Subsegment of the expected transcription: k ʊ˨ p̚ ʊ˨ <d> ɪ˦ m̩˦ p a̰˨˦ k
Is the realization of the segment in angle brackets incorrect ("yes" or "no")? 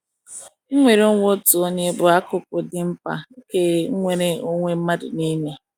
no